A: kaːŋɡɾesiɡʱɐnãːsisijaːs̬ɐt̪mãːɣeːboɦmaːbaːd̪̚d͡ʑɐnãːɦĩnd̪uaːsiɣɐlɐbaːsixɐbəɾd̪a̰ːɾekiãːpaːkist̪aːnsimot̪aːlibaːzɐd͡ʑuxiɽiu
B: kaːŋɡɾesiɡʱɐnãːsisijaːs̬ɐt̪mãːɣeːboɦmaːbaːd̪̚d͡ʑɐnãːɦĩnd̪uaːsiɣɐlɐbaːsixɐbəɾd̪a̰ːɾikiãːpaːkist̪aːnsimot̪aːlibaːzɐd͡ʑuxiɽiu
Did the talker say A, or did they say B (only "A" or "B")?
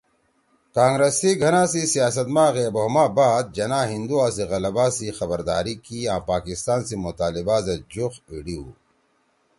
B